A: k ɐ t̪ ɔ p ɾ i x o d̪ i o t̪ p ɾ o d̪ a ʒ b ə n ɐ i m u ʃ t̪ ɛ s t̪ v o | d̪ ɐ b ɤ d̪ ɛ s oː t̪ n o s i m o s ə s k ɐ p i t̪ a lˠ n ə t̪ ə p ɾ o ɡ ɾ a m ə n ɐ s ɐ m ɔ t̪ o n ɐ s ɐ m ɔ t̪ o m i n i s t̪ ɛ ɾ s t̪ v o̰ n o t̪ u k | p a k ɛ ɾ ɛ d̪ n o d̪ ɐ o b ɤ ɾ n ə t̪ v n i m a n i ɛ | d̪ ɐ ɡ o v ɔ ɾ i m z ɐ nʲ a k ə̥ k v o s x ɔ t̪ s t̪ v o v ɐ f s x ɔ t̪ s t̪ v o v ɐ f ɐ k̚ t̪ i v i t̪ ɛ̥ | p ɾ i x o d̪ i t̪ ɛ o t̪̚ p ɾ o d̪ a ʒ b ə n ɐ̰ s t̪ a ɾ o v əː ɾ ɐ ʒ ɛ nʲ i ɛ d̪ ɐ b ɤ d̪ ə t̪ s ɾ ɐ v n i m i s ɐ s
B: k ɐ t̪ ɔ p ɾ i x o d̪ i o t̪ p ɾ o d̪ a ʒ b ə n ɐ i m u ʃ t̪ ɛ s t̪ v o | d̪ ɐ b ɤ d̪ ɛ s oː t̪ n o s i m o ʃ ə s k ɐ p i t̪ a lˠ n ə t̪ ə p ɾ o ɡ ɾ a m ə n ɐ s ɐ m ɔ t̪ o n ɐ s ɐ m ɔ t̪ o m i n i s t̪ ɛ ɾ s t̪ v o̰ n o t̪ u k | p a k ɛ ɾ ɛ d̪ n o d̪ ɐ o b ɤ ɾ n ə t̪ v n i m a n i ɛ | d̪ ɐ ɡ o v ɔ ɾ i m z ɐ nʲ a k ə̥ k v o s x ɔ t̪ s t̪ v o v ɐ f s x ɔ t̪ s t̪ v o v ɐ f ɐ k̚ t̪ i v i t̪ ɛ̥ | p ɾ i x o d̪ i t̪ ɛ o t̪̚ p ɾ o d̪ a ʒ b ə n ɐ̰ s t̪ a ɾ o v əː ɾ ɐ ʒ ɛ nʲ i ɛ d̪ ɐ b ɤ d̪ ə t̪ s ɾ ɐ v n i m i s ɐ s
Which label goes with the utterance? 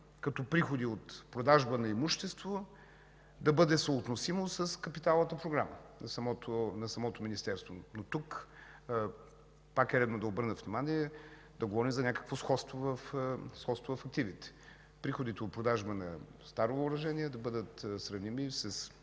A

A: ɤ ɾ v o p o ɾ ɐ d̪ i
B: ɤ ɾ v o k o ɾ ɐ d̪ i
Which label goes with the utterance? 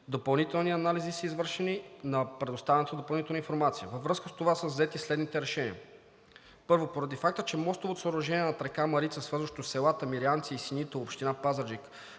A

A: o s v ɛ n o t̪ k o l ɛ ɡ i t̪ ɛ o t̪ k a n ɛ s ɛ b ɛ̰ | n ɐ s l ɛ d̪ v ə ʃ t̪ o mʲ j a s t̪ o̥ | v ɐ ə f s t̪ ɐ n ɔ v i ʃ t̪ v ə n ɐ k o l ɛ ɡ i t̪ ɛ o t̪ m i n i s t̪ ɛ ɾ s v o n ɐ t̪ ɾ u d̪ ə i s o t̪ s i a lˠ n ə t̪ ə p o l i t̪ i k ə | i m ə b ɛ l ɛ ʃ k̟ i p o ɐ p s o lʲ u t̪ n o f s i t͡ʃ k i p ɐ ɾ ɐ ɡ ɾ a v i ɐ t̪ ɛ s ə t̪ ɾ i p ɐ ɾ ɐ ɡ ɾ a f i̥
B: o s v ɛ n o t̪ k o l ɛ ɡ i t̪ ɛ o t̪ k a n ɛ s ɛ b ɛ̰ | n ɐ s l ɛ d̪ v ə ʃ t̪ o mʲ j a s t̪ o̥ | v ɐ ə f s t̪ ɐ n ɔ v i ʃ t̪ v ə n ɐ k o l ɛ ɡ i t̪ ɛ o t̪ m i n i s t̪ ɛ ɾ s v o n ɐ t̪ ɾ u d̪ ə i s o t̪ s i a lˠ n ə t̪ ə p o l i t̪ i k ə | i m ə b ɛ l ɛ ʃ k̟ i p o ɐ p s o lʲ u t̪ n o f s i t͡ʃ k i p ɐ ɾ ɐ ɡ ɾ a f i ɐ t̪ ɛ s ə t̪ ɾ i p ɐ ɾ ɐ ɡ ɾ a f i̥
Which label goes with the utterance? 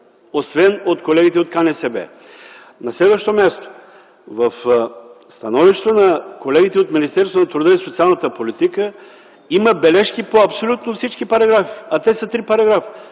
B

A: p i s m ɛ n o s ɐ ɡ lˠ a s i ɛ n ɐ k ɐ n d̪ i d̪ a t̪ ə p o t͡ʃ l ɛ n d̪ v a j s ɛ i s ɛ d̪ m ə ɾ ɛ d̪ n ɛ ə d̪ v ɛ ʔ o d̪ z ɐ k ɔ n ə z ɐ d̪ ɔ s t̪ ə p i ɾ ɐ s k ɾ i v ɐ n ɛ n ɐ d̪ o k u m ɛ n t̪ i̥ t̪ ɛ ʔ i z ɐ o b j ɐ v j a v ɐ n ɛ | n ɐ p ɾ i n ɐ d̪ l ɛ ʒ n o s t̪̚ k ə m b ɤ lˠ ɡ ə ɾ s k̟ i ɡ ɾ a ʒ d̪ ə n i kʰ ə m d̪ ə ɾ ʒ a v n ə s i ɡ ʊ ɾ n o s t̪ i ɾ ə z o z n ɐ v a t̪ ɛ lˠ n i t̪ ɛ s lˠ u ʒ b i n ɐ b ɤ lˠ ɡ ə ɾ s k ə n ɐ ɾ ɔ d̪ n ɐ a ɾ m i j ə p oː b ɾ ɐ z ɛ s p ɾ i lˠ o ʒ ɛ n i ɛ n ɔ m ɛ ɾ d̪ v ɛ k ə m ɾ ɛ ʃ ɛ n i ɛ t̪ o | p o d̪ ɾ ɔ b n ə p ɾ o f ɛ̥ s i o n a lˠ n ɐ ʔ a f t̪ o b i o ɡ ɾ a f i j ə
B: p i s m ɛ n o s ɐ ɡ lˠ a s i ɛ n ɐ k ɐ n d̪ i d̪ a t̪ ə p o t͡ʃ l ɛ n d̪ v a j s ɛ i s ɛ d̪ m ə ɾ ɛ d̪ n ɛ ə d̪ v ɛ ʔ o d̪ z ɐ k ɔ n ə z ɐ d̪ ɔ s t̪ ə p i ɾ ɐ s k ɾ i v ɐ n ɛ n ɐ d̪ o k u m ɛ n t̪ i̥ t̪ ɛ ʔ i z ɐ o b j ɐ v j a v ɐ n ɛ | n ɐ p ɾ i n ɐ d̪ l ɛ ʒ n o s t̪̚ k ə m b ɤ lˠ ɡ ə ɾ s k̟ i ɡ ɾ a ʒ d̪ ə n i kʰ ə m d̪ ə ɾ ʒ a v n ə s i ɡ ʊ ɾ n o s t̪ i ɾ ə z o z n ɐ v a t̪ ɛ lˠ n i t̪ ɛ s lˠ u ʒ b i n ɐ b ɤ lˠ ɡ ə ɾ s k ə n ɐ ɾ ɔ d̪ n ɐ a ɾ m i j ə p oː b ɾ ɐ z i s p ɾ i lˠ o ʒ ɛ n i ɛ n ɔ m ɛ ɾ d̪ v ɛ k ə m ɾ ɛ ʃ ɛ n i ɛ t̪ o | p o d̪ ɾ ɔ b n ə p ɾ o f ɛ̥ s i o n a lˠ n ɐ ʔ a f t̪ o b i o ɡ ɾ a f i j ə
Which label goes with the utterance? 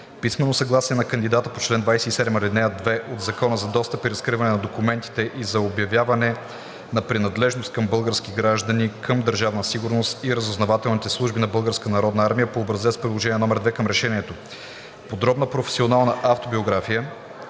A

